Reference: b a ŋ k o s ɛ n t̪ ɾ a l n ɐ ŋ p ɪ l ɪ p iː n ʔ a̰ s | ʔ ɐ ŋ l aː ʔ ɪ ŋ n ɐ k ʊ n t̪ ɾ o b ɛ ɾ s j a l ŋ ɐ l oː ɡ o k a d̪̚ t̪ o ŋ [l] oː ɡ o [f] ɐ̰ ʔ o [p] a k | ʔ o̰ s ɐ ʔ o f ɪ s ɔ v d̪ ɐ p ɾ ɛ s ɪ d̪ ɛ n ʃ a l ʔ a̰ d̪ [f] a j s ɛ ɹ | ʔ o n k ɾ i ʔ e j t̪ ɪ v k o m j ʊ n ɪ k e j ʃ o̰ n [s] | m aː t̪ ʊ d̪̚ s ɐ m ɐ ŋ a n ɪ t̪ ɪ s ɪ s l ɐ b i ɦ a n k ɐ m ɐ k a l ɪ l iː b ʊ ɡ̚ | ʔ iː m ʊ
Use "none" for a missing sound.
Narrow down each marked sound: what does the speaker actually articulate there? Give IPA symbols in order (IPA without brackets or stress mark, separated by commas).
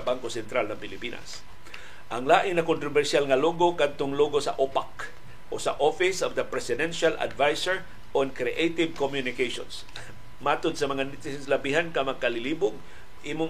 l, s, p, v, s